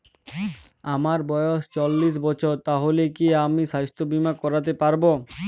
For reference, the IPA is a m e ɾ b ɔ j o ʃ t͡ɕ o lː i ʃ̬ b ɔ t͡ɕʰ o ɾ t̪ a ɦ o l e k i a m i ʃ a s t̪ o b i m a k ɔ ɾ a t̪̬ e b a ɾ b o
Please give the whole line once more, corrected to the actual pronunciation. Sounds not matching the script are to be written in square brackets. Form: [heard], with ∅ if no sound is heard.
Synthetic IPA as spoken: a m [a] ɾ b ɔ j o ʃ t͡ɕ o lː i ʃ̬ b ɔ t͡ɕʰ o ɾ t̪ a ɦ o l e k i a m i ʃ a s t̪ o b i m a k ɔ ɾ a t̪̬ e [p] a ɾ b o